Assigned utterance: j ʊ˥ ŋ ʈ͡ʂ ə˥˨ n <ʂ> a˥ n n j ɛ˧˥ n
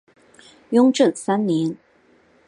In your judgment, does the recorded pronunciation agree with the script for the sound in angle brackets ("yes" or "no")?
no